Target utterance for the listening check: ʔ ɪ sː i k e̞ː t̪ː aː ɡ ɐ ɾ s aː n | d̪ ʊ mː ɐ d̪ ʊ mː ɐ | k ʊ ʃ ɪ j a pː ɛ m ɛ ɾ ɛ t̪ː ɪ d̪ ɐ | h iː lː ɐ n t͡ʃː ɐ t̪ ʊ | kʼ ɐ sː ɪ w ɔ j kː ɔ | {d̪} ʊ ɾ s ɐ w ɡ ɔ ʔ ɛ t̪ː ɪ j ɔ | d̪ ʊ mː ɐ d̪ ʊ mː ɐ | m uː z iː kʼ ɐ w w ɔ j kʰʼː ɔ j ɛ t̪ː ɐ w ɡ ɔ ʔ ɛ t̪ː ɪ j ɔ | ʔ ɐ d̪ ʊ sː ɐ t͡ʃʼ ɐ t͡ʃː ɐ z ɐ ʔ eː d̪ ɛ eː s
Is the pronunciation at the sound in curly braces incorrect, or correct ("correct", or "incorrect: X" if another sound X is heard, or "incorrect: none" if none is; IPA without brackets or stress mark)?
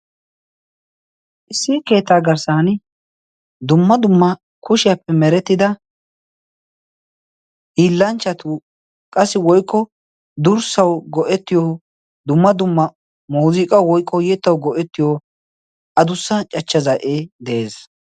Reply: correct